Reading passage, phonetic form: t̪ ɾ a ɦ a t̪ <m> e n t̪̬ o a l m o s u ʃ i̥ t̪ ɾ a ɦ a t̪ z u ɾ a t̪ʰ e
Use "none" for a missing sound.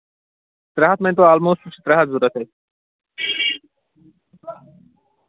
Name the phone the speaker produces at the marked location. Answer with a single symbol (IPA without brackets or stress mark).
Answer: m